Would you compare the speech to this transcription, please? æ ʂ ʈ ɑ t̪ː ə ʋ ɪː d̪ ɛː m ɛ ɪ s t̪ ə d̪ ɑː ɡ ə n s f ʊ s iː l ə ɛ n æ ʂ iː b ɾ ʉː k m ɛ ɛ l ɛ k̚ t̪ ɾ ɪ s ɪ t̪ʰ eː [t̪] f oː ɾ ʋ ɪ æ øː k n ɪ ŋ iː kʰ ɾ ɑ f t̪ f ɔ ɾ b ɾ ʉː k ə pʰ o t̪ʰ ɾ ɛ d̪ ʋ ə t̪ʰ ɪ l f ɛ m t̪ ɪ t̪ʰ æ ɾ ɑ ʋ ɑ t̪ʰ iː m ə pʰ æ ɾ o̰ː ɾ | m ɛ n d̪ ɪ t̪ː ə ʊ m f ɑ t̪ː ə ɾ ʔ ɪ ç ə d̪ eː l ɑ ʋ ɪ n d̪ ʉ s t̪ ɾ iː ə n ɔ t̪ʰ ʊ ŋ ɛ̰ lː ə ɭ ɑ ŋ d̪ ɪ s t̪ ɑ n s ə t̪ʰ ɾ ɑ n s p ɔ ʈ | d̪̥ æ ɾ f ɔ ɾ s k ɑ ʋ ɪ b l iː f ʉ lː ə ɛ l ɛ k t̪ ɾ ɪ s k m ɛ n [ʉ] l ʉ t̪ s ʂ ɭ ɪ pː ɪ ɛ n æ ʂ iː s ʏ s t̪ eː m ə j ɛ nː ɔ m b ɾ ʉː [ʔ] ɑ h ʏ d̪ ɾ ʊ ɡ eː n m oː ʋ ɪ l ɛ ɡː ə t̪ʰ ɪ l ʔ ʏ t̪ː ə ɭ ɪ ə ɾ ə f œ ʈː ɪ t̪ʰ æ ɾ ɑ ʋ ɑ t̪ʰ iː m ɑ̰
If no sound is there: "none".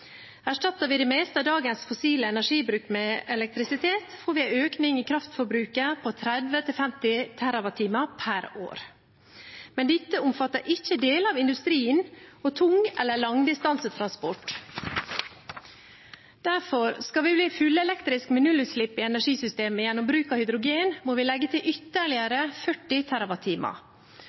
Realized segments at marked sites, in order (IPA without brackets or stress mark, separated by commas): t̪, ʉ, k